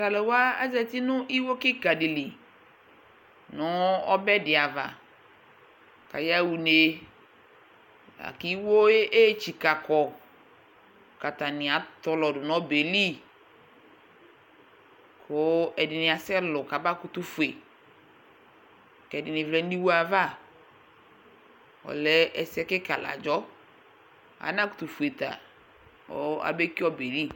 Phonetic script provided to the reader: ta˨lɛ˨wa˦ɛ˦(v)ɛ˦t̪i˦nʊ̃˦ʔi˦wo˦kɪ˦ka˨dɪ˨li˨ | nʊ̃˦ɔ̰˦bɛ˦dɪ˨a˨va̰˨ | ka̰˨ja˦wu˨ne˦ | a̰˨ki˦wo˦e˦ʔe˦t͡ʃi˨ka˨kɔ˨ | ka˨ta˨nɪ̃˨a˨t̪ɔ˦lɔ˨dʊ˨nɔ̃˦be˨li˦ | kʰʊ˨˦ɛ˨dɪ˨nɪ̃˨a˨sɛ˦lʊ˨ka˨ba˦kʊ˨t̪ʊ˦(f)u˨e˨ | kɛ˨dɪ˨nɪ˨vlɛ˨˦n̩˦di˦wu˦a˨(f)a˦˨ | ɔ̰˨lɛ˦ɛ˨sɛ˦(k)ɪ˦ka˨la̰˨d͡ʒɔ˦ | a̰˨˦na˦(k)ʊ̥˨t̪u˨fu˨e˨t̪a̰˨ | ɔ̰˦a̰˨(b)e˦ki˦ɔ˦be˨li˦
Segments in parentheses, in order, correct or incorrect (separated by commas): incorrect, correct, incorrect, correct, correct, correct